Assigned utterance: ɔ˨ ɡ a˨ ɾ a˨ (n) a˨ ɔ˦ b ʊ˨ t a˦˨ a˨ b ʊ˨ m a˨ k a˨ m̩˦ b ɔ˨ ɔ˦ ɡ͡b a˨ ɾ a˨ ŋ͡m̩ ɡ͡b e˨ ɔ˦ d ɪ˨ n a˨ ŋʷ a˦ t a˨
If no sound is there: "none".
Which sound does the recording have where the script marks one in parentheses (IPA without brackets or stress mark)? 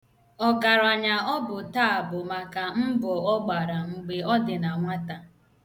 ɲ